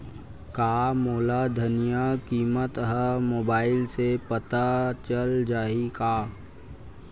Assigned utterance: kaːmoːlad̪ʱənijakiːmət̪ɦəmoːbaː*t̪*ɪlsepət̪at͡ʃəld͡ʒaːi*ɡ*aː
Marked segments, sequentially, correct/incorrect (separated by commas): incorrect, incorrect